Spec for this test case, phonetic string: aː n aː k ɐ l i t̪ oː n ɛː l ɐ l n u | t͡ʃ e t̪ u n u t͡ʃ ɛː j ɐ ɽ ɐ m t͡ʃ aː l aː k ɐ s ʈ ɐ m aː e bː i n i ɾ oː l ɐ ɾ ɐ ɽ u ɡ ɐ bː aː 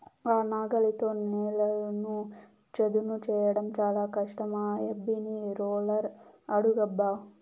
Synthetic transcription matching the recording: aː n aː ɡ ɐ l i t̪ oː n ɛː l ɐ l n u | t͡ʃ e d̪ u n u t͡ʃ ɛː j ɐ ɽ ɐ m t͡ʃ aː l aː k ɐ ʂ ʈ ɐ m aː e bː i n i ɾ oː l ɐ ɾ ɐ ɽ u ɡ ɐ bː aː